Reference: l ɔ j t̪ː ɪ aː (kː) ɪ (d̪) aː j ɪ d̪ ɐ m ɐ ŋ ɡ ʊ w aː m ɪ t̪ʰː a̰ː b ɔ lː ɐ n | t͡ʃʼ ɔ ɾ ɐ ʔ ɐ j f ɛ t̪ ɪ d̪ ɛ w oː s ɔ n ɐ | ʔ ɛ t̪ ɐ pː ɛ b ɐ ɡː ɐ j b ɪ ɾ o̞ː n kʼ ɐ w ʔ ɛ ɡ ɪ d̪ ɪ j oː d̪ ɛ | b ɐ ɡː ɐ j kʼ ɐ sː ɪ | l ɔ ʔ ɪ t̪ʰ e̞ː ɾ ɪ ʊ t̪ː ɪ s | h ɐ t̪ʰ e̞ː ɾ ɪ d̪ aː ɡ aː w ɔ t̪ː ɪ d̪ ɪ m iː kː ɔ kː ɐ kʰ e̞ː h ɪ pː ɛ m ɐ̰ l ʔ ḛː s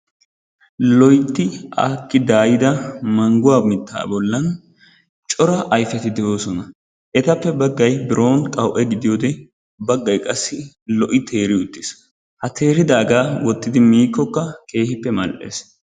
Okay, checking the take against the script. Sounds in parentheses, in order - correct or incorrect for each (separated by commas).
correct, correct